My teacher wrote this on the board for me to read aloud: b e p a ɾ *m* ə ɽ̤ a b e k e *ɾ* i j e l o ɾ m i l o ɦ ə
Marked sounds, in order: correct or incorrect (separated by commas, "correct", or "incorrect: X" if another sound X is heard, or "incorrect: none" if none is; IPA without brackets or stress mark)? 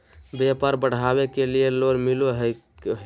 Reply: incorrect: b, incorrect: l